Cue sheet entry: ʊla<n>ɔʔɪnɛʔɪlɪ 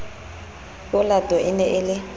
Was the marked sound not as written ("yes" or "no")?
yes